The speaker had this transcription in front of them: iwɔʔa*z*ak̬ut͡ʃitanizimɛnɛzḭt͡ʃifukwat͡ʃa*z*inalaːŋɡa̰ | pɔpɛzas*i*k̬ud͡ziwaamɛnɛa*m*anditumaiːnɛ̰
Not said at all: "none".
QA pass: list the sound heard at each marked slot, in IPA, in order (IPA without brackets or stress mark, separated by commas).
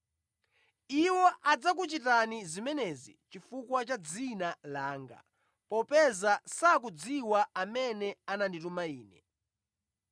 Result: d͡z, d͡z, a, n